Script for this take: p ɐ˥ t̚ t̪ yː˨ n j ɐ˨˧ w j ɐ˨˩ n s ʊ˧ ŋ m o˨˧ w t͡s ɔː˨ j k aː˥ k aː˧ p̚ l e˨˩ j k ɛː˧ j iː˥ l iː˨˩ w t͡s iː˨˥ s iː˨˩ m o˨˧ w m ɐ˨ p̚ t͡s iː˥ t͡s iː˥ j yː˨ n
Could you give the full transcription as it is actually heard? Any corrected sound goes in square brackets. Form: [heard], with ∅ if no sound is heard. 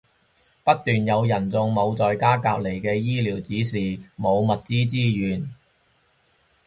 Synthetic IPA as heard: p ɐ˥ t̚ t̪ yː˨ n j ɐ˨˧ w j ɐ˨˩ n [t͡s] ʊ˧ ŋ m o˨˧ w t͡s ɔː˨ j k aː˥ k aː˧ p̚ l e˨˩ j k ɛː˧ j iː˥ l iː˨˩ w t͡s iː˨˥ s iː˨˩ m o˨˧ w m ɐ˨ [t̚] t͡s iː˥ t͡s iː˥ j yː˨ n